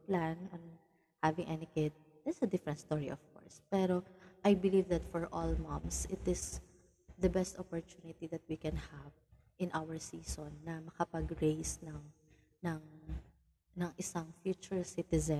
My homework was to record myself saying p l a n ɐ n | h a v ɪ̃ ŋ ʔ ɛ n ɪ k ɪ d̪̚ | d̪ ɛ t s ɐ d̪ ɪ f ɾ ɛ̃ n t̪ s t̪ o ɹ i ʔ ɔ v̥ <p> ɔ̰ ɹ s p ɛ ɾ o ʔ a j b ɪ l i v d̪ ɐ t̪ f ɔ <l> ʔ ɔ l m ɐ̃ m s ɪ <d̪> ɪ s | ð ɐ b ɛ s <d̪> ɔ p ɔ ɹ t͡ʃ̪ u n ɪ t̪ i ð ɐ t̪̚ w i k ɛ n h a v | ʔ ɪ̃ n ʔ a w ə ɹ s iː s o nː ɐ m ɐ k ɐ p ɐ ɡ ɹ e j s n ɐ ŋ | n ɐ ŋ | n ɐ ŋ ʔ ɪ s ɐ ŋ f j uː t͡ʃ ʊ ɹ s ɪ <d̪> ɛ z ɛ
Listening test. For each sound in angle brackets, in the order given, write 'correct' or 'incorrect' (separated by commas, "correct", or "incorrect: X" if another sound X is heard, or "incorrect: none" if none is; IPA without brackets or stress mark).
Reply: incorrect: k, incorrect: ɹ, incorrect: t̪, incorrect: t̪, incorrect: t̪